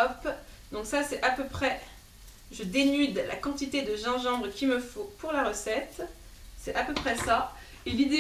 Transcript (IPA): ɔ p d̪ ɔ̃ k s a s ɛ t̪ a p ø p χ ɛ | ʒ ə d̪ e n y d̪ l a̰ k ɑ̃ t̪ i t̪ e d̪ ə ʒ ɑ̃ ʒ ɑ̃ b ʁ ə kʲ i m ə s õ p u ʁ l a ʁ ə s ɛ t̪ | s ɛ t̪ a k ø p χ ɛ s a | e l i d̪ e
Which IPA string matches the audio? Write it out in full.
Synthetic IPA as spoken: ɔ p d̪ ɔ̃ k s a s ɛ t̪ a p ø p χ ɛ | ʒ ə d̪ e n y d̪ l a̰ k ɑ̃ t̪ i t̪ e d̪ ə ʒ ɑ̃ ʒ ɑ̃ b ʁ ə kʲ i m ə f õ p u ʁ l a ʁ ə s ɛ t̪ | s ɛ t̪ a p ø p χ ɛ s a | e l i d̪ e